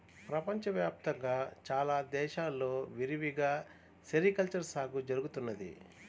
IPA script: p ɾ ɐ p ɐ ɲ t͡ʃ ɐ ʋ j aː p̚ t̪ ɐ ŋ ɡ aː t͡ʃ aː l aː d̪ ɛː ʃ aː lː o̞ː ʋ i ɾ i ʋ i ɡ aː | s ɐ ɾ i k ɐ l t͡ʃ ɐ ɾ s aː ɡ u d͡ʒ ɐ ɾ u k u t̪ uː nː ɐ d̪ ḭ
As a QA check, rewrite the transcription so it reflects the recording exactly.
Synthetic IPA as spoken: p ɾ ɐ p ɐ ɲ t͡ʃ ɐ ʋ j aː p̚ t̪ ɐ ŋ ɡ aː t͡ʃ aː l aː d̪ ɛː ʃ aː lː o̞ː ʋ i ɾ i ʋ i ɡ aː | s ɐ ɾ i k ɐ l t͡ʃ ɐ ɾ s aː ɡ u d͡ʒ ɐ ɾ u ɡ u t̪ u nː ɐ d̪ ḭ